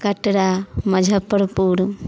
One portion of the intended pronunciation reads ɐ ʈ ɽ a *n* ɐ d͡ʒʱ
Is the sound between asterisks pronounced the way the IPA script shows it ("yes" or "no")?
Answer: no